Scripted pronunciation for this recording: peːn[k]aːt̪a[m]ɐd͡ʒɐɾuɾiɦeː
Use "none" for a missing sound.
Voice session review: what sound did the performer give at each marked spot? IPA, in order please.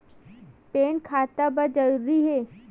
kʰ, b

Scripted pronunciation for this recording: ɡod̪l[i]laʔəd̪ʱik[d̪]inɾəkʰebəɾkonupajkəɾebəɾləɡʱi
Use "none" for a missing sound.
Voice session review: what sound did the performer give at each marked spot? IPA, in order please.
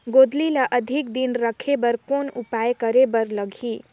i, d̪

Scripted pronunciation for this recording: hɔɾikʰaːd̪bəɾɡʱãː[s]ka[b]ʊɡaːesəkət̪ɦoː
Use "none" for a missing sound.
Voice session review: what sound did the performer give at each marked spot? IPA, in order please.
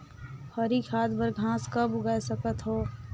s, b

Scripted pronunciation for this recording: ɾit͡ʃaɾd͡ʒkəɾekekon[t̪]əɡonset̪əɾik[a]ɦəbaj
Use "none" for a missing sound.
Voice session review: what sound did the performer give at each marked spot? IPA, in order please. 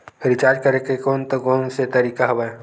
t̪, a

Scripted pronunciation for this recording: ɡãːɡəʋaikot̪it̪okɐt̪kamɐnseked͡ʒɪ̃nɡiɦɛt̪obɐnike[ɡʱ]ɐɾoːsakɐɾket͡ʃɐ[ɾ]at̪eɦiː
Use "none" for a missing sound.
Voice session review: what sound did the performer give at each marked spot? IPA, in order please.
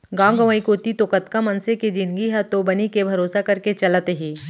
bʱ, l

